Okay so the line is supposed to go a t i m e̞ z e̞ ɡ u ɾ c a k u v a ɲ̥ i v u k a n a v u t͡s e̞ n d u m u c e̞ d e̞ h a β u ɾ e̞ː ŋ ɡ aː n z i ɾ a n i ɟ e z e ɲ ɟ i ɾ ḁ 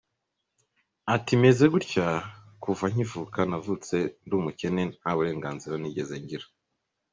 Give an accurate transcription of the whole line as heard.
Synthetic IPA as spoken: a t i m e̞ z e̞ ɡ u ɾ c a k u v a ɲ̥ i v u k a n a v u t͡s e̞ n d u m u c e̞ n e̞ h a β u ɾ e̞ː ŋ ɡ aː n z i ɾ a n i ɟ e z e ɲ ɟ i ɾ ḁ